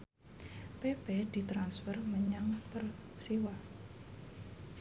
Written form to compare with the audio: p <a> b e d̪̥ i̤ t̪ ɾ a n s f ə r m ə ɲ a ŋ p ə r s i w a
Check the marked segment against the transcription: incorrect: e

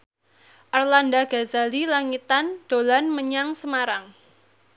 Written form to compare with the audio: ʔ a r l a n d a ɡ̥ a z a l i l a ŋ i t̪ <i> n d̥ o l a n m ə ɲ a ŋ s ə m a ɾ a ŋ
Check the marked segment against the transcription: incorrect: a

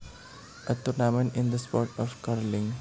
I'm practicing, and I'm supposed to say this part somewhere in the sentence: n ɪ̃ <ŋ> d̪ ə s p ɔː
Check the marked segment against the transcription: incorrect: n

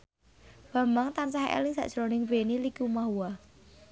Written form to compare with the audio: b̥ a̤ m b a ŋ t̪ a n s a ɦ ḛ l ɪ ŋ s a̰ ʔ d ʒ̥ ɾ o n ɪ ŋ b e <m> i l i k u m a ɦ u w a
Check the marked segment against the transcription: incorrect: n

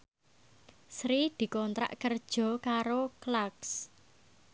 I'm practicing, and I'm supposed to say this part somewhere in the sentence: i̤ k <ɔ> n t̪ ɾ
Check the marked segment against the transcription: correct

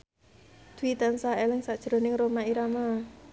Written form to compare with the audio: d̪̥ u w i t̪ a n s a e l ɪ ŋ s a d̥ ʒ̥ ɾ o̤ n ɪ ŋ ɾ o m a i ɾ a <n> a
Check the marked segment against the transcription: incorrect: m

